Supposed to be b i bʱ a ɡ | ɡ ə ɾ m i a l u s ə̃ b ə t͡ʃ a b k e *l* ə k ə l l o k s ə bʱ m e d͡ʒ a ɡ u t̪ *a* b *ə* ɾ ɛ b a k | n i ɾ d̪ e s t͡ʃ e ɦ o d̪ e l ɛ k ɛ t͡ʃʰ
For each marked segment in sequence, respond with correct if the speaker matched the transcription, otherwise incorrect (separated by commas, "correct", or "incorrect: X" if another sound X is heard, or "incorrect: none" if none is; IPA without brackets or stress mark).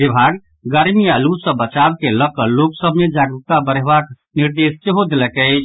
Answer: correct, correct, correct